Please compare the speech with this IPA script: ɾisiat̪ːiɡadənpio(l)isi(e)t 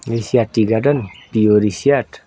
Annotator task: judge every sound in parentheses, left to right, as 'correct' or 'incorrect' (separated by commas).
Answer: incorrect, incorrect